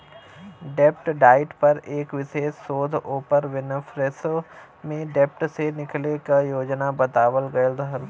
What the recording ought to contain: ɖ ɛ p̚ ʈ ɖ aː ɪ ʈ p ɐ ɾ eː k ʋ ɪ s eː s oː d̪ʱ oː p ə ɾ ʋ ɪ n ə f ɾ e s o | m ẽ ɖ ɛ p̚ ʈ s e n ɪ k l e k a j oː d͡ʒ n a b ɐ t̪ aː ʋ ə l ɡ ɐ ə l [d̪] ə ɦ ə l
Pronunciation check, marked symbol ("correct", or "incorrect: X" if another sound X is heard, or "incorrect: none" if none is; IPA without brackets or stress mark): correct